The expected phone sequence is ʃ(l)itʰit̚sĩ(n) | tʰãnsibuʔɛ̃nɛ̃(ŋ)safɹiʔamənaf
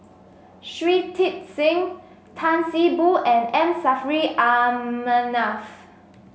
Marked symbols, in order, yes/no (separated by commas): no, no, no